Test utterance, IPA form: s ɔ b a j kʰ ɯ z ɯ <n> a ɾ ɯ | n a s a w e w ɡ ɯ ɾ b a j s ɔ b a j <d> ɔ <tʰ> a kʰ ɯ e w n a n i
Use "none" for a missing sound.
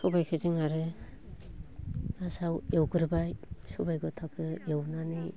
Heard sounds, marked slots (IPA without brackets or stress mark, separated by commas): ŋ, ɡ, tʰ